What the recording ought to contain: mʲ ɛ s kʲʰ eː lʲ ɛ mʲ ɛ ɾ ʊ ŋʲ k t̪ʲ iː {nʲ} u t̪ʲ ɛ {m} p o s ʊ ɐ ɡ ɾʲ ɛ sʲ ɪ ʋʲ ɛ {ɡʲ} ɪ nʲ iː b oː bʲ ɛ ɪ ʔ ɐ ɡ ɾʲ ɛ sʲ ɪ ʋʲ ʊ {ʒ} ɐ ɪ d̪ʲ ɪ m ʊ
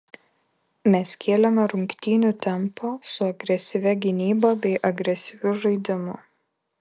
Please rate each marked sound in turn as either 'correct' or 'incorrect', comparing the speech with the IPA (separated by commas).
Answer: correct, correct, correct, correct